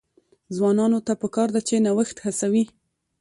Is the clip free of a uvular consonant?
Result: yes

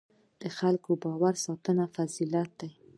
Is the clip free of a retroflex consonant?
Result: yes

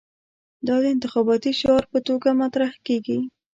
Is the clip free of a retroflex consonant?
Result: yes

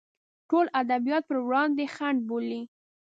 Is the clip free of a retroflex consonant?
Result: no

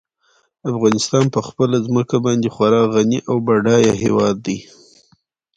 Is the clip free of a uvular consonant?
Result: yes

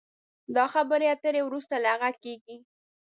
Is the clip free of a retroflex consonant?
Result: yes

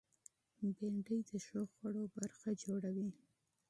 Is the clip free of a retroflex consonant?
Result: no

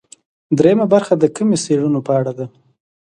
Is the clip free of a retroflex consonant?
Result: no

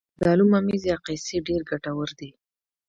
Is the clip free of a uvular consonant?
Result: no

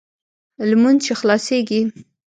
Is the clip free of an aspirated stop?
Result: yes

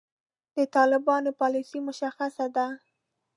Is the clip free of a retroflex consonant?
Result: yes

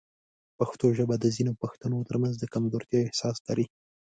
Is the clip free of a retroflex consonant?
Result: yes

